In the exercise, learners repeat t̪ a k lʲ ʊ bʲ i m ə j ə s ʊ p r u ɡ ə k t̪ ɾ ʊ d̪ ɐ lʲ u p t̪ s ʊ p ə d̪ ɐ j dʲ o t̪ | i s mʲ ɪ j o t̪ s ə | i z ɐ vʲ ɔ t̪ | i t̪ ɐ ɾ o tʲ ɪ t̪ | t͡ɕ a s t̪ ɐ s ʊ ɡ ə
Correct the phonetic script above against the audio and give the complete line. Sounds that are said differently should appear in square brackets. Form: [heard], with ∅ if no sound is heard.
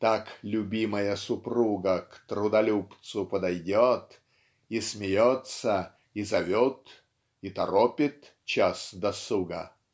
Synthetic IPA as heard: t̪ a k lʲ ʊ bʲ i m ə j ə s ʊ p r u ɡ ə k t̪ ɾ ʊ d̪ ɐ lʲ u p t̪ s ʊ p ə d̪ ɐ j dʲ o t̪ | i s mʲ ɪ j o t̪ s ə | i z ɐ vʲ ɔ t̪ | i t̪ ɐ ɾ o [pʲ] ɪ t̪ | t͡ɕ a s [d̪] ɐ s [u] ɡ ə